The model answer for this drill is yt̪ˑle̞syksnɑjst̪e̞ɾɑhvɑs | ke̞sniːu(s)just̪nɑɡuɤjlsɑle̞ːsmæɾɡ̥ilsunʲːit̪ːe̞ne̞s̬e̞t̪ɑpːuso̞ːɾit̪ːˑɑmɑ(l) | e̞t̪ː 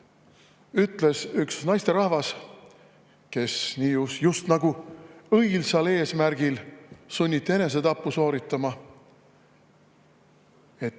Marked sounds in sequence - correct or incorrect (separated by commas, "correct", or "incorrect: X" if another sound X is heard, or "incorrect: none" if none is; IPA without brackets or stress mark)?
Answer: correct, incorrect: none